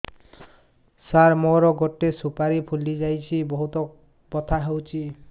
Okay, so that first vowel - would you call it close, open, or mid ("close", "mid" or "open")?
open